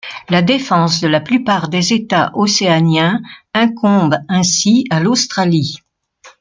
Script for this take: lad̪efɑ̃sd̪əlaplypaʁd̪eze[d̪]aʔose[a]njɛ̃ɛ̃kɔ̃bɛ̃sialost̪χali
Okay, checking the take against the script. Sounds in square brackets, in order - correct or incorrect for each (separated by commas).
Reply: incorrect, correct